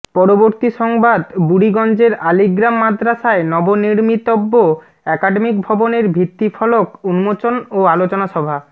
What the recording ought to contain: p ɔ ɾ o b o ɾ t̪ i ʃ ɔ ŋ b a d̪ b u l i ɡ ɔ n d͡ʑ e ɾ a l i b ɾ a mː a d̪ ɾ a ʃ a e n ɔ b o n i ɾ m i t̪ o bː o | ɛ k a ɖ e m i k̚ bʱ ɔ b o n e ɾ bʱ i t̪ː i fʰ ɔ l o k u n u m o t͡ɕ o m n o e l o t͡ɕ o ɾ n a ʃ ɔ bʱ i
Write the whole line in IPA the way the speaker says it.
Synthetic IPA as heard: p ɔ ɾ o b o ɾ t̪ i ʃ ɔ ŋ b a d̪ b u ɽ i ɡ ɔ n d͡ʑ e ɾ a l i ɡ ɾ a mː a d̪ ɾ a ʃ a e n ɔ b o n i ɾ m i t̪ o bː o | ɛ k a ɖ e m i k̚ bʱ ɔ b o n e ɾ bʱ i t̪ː i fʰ ɔ l o k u n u m o t͡ɕ o n o a l o t͡ɕ o n a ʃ ɔ bʱ a